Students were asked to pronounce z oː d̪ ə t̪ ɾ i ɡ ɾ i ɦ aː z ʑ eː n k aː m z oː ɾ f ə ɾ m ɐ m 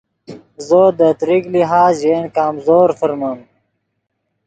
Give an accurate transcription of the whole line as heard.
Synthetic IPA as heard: z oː d̪ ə t̪ ɾ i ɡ l i ɦ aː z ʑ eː n k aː m z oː ɾ f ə ɾ m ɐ m